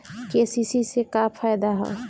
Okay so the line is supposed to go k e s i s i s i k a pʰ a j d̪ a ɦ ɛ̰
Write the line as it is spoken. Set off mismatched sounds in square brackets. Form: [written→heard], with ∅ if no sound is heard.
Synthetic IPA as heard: k e s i s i s [i→e] k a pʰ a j d̪ a ɦ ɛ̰